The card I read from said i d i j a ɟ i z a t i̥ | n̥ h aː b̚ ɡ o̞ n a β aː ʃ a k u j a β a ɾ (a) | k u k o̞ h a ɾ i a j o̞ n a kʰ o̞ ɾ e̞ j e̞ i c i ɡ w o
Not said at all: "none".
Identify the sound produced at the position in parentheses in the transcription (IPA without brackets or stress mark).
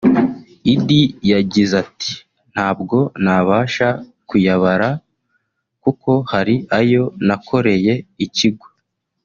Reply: a